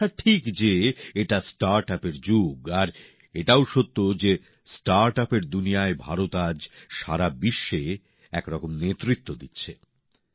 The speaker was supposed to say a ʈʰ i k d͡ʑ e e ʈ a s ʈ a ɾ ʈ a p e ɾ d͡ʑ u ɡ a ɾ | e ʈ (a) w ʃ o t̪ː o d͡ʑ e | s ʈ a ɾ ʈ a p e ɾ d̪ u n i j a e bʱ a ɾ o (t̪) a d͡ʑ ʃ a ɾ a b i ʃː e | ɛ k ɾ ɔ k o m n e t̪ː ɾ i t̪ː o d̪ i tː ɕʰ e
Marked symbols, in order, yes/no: yes, yes

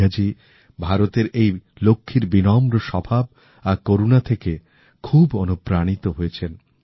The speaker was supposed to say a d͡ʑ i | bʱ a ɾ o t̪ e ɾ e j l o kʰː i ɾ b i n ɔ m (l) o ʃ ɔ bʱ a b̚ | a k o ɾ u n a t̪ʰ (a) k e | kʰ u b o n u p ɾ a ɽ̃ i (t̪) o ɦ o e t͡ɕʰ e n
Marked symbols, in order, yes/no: no, no, yes

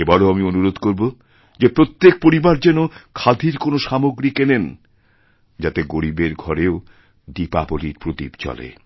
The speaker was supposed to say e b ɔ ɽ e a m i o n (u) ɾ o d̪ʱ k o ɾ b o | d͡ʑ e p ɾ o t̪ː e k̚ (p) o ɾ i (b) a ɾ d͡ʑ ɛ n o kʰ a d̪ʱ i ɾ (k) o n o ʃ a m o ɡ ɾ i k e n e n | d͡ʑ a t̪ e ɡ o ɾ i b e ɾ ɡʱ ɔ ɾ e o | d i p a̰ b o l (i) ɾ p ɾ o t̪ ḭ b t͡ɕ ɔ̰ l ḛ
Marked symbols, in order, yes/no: yes, yes, yes, yes, yes

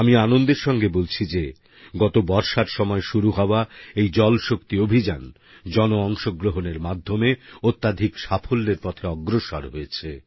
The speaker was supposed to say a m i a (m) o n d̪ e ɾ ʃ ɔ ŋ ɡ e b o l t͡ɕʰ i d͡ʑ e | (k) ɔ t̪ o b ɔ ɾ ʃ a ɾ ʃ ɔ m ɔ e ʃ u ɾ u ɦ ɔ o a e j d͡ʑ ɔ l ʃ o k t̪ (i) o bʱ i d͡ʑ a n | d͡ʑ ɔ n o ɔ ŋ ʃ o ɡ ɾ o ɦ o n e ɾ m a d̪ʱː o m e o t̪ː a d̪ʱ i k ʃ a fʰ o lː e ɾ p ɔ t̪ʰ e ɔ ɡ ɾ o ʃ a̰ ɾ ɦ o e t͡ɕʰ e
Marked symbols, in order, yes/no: no, no, yes

